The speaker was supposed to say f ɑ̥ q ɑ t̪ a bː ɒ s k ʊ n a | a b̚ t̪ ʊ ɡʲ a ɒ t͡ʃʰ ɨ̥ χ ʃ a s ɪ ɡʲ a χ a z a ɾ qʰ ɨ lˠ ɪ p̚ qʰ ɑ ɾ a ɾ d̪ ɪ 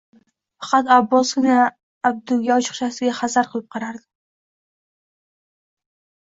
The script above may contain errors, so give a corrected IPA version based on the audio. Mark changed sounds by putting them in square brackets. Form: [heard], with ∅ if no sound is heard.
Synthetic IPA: f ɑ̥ q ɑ t̪ a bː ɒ s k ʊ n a | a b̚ [d̪] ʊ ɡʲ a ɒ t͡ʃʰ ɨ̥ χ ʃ a s ɪ ɡʲ a χ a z a ɾ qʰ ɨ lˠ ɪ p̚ qʰ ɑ ɾ a ɾ d̪ ɪ